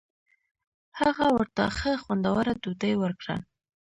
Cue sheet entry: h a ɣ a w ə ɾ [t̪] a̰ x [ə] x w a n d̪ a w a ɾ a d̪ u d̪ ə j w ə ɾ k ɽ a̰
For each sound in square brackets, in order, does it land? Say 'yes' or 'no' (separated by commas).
yes, yes